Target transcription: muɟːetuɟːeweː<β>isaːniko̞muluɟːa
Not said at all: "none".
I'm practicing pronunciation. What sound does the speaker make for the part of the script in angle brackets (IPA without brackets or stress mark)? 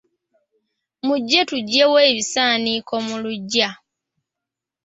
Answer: β